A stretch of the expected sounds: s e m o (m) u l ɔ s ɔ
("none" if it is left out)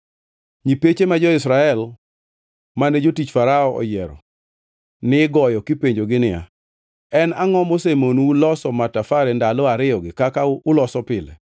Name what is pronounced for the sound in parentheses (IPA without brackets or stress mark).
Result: n